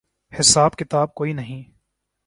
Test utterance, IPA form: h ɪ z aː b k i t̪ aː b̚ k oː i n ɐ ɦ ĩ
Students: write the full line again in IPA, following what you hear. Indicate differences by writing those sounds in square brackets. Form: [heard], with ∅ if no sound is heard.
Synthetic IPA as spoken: h ɪ [s] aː b k [ɪ] t̪ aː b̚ k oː i n ɐ ɦ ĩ